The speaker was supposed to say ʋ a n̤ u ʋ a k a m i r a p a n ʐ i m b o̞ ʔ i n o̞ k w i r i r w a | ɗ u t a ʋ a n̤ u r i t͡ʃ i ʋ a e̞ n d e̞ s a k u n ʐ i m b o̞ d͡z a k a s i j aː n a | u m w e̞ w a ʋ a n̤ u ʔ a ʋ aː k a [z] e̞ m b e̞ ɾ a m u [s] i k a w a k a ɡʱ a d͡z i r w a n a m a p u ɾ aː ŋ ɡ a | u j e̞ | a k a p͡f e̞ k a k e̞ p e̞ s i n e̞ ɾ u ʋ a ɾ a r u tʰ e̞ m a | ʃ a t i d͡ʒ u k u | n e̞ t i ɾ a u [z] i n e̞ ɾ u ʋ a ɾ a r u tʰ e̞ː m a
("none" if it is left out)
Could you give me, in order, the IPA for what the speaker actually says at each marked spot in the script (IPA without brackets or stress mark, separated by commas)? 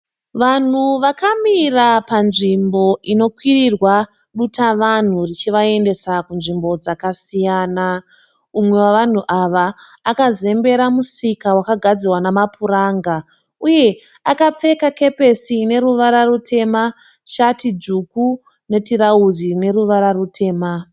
z, s, z